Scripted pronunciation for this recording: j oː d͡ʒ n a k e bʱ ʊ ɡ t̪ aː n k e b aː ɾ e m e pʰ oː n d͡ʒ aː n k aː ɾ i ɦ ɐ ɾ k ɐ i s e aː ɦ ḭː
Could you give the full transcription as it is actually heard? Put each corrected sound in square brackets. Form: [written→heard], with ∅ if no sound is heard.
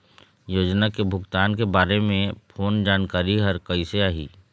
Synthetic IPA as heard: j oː d͡ʒ n a k e bʱ ʊ ɡ t̪ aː n k e b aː ɾ e m [e→ẽ] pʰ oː n d͡ʒ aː n k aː ɾ i ɦ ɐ ɾ k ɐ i s e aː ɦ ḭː